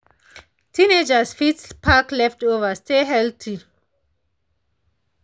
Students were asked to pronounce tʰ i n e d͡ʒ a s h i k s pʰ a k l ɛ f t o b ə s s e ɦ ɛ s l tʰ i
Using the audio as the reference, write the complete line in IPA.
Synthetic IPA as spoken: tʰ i n e d͡ʒ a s f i t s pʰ a k l ɛ f t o v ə s t e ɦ ɛ l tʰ i